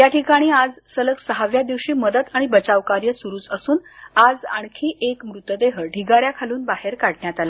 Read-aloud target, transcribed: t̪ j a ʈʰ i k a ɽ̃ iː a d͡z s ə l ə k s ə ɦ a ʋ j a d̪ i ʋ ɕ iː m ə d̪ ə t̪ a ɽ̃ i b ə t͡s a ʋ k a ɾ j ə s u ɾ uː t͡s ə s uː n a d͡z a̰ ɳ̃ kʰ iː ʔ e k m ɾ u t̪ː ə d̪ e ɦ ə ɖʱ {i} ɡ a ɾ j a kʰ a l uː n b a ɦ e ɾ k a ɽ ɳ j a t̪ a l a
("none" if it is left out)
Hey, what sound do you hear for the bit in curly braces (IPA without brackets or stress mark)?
i